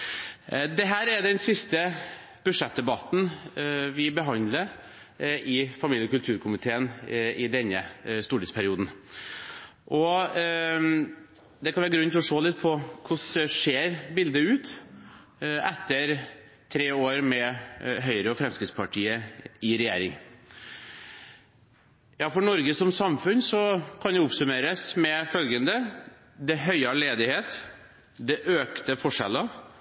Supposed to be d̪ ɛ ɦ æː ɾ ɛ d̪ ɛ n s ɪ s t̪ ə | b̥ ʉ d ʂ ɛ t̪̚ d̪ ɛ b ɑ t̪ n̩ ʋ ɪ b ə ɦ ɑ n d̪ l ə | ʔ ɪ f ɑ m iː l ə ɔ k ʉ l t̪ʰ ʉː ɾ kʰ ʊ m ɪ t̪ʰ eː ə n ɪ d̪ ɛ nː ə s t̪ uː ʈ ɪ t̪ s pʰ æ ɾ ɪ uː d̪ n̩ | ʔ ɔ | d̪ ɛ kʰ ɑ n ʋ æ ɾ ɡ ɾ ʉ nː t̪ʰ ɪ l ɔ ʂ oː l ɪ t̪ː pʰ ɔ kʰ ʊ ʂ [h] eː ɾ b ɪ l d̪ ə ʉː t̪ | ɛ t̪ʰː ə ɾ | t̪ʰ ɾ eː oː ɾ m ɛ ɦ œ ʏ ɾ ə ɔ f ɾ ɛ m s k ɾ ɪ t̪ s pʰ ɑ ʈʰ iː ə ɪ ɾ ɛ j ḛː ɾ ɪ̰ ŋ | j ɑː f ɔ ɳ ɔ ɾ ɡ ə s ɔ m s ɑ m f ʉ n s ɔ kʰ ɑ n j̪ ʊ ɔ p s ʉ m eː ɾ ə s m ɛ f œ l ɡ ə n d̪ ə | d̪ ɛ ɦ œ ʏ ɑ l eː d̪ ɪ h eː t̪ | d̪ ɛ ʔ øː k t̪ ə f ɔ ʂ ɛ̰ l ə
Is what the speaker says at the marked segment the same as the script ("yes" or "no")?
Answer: no